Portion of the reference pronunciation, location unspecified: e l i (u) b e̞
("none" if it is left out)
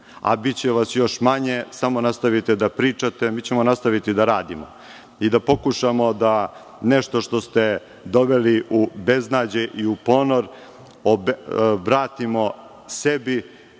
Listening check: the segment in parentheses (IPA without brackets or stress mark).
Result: u